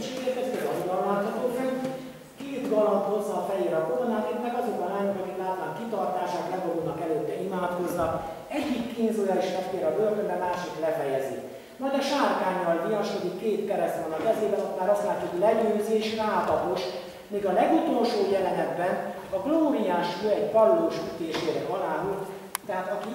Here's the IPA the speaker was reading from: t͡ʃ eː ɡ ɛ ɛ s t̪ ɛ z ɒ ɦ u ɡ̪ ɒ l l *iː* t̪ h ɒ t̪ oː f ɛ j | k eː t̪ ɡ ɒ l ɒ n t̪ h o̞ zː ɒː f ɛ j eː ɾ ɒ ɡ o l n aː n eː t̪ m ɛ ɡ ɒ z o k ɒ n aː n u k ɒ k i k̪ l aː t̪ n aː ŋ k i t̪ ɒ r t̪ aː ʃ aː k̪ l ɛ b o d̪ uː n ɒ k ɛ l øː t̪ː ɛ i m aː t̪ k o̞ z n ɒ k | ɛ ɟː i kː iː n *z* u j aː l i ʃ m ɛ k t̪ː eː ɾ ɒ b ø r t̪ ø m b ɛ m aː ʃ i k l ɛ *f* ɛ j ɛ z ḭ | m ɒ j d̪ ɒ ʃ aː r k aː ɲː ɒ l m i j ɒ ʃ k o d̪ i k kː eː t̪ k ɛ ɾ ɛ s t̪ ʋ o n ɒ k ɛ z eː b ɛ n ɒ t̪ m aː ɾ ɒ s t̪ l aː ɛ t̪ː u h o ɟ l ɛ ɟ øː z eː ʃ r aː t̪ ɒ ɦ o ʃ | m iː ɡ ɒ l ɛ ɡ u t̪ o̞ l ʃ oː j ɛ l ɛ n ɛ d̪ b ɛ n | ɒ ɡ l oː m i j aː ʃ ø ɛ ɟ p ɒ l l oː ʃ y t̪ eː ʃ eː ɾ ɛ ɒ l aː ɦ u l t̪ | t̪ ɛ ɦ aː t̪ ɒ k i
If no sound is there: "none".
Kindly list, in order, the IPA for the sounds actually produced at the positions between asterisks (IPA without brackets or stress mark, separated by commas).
aː, z, f